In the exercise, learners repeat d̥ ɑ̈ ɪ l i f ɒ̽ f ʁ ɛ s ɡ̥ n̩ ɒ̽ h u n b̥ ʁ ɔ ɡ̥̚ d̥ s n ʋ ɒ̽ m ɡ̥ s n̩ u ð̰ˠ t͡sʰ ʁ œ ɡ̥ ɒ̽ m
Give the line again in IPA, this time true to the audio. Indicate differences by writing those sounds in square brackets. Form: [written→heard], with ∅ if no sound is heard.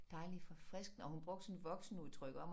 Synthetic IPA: d̥ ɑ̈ ɪ l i f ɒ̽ f ʁ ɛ s ɡ̥ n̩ ɒ̽ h u n b̥ ʁ ɔ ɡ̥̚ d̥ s n ʋ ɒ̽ [m→∅] ɡ̥ s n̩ u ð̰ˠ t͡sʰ ʁ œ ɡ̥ ɒ̽ m